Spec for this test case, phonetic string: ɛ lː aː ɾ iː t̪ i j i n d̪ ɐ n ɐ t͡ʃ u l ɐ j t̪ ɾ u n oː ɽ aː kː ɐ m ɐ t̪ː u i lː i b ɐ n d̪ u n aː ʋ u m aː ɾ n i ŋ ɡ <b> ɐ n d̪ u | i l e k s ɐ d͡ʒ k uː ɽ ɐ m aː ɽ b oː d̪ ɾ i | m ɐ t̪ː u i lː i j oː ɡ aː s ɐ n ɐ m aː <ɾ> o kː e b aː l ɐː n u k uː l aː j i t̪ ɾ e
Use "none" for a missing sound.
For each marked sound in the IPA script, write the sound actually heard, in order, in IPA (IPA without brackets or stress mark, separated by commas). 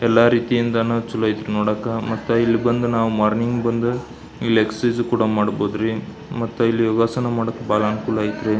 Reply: b, ɽ